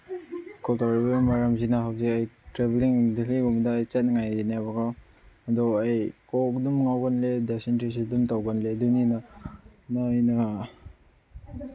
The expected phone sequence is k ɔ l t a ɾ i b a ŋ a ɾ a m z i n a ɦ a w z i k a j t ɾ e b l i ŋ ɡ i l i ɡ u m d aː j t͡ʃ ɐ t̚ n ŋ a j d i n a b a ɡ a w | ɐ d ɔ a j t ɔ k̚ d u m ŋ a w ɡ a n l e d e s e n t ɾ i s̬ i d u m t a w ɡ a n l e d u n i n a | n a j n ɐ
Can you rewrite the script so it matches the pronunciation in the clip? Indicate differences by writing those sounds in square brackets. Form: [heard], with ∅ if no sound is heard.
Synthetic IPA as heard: k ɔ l t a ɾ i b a [m] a ɾ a m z i n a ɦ a w z i k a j t ɾ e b l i ŋ [d] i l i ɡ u m d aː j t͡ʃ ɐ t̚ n ŋ a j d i n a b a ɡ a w | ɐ d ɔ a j [k] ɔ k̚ d u m ŋ a w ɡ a n l e d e s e n t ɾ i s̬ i d u m t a w ɡ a n l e d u n i n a | n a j n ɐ